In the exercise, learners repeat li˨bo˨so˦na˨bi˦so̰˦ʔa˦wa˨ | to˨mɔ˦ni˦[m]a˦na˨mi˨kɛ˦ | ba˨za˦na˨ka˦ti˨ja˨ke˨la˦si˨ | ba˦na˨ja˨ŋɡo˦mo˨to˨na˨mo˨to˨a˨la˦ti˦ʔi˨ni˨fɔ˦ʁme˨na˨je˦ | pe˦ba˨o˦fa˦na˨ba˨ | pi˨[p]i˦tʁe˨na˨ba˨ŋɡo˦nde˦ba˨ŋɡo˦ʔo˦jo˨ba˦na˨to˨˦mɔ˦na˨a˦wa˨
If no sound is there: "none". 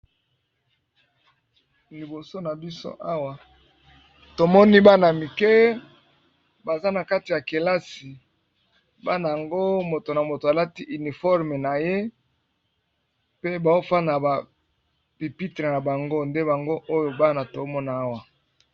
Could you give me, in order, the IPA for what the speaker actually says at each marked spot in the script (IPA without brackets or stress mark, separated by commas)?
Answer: b, p